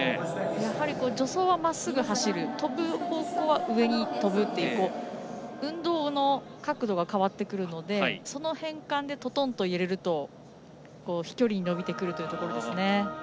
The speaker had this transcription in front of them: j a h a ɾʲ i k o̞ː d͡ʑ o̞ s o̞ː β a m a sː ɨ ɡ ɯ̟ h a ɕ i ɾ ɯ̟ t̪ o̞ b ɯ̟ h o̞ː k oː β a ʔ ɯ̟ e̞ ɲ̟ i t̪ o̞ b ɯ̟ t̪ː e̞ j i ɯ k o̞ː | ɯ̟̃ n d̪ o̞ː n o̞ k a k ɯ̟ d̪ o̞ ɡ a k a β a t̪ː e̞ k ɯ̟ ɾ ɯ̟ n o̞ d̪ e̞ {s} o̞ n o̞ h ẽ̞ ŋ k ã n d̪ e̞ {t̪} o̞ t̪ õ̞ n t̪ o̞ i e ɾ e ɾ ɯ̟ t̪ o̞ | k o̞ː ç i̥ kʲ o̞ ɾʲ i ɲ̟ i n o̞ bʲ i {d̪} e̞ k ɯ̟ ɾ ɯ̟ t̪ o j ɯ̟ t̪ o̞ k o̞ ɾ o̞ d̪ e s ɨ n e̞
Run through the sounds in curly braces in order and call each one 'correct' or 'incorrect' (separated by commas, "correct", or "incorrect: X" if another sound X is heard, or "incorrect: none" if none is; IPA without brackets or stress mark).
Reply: correct, correct, incorrect: t̪